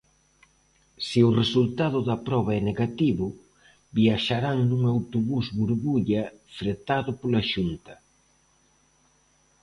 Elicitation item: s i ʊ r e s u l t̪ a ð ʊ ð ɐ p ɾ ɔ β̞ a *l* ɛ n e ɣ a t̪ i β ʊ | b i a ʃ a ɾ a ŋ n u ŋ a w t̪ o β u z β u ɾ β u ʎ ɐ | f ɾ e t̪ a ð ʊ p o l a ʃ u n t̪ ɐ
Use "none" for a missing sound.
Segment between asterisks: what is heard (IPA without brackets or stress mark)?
none